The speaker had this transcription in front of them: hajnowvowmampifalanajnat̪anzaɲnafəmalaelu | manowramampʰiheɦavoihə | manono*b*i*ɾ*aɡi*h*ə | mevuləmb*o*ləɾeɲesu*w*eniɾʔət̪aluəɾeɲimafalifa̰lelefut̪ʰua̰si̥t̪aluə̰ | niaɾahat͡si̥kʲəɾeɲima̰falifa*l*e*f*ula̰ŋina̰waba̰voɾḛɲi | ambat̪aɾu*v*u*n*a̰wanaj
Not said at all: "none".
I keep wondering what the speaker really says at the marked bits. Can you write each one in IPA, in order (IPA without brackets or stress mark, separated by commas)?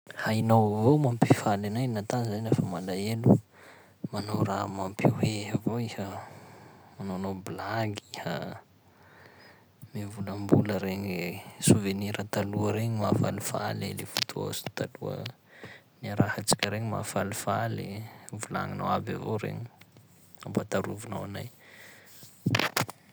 b, l, h, u, v, l, v, v, n